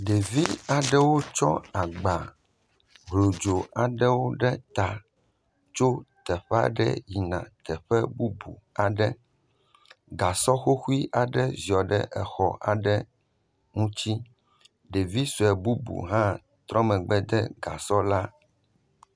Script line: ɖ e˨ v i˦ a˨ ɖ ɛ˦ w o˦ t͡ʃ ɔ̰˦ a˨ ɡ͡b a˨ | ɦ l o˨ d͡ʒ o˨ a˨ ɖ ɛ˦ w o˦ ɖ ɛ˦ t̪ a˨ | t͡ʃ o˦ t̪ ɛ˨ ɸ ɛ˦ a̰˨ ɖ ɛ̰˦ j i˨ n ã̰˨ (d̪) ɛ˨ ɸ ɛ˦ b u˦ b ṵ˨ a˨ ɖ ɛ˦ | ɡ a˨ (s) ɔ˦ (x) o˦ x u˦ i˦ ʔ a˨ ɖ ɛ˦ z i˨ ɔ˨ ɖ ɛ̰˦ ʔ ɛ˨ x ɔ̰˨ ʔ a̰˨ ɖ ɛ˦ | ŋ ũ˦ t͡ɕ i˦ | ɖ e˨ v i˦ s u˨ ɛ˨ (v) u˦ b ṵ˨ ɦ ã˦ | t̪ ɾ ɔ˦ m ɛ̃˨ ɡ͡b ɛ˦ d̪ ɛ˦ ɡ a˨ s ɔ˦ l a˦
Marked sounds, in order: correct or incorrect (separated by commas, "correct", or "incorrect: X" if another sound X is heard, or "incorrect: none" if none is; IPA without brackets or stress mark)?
incorrect: t̪, correct, correct, incorrect: b